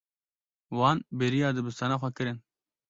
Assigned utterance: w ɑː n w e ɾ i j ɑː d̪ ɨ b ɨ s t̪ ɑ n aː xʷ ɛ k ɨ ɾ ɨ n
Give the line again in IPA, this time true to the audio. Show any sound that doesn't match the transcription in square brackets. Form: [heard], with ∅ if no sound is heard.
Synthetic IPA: w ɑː n [b] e ɾ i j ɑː d̪ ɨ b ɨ s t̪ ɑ n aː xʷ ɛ k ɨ ɾ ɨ n

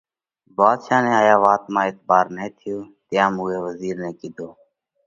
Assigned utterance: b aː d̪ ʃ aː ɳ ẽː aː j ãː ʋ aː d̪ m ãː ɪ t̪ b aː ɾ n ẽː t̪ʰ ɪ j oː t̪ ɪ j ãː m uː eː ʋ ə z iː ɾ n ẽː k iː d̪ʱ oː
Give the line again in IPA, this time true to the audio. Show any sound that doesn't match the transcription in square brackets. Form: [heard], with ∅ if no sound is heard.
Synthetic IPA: b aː d̪ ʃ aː [n] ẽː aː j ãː ʋ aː [t̪] m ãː ɪ t̪ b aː ɾ n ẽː t̪ʰ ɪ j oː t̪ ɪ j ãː m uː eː ʋ ə z iː ɾ n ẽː k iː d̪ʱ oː

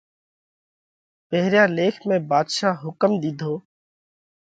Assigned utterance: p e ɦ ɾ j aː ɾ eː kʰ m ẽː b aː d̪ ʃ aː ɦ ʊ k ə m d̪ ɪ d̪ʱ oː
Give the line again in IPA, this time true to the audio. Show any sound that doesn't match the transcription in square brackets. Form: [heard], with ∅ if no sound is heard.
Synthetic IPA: p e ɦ ɾ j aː [l] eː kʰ m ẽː b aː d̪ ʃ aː ɦ ʊ k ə m d̪ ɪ d̪ʱ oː

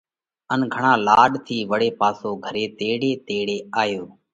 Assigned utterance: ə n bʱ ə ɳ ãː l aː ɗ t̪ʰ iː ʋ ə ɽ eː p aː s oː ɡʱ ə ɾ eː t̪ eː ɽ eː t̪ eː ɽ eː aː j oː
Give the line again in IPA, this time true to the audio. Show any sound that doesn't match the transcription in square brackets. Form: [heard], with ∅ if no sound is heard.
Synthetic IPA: ə n [ɡʱ] ə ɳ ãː l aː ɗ t̪ʰ iː ʋ ə ɽ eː p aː s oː ɡʱ ə ɾ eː t̪ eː ɽ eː t̪ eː ɽ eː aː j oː

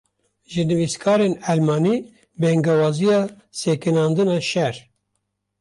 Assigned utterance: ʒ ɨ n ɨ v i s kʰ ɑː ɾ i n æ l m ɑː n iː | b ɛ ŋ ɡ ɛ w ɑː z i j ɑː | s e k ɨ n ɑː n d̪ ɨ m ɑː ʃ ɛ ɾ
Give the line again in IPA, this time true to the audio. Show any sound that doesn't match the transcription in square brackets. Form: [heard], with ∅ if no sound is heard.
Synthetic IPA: ʒ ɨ n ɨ v i s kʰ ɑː ɾ [e] n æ l m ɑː n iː | b ɛ ŋ ɡ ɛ w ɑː z i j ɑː | s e k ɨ n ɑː n d̪ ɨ [n] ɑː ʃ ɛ ɾ

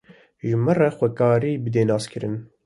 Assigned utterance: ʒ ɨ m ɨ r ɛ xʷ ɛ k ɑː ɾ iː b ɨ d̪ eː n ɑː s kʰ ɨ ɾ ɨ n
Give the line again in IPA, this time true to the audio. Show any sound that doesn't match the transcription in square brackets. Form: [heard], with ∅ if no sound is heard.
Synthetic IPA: ʒ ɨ m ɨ r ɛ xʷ ɛ k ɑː ɾ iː b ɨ d̪ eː n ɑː s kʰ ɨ ɾ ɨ n

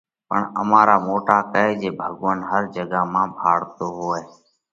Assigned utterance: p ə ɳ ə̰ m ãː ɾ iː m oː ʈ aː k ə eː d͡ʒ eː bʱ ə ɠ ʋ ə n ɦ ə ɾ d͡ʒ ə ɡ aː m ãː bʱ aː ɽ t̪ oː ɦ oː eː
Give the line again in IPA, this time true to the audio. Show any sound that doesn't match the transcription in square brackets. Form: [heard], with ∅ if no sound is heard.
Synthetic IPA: p ə ɳ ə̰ m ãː ɾ [aː] m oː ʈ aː k ə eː d͡ʒ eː bʱ ə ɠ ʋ ə n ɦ ə ɾ d͡ʒ ə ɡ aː m ãː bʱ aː ɽ t̪ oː ɦ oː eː

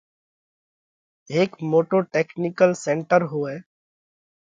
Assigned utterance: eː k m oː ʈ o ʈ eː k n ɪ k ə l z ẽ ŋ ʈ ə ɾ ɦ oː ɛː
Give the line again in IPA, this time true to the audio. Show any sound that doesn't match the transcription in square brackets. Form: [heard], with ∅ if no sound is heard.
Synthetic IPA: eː k m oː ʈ o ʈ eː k n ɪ k ə l [s] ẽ [ɳ] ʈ ə ɾ ɦ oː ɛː

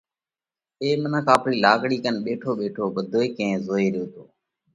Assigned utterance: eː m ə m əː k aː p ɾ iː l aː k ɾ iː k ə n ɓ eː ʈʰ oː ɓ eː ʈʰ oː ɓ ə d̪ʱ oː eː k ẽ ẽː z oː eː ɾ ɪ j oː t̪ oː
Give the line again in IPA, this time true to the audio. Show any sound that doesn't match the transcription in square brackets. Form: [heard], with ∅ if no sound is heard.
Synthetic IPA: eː m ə [n] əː k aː p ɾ iː l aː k [ɽ] iː k ə n ɓ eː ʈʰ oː ɓ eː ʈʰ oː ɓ ə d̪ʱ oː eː k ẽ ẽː z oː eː ɾ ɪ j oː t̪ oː

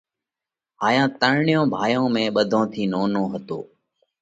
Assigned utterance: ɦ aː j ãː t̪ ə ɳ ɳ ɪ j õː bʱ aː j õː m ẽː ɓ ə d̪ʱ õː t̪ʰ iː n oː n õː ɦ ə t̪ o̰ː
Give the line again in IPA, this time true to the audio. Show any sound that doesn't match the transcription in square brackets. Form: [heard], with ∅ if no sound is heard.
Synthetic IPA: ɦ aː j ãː t̪ ə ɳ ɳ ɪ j õː bʱ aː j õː m ẽː ɓ ə d̪ʱ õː t̪ʰ iː n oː n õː ɦ ə t̪ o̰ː

